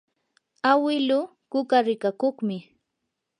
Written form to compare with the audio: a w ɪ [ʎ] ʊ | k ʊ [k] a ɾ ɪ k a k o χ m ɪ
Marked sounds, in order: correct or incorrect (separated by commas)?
incorrect, correct